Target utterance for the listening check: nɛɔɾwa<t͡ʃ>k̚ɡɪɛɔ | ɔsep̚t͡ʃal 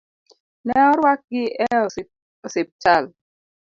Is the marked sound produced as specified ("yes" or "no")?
no